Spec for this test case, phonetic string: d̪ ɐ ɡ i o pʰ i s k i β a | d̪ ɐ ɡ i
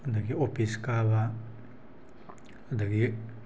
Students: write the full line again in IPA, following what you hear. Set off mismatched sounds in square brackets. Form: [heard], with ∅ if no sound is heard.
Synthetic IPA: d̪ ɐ ɡ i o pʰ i s k [a] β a | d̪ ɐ ɡ i